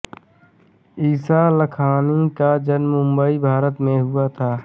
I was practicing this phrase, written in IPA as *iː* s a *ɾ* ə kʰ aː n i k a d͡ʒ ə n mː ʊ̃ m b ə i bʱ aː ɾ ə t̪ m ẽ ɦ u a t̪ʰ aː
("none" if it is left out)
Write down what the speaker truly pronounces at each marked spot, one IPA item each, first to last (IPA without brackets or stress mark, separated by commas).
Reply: iː, l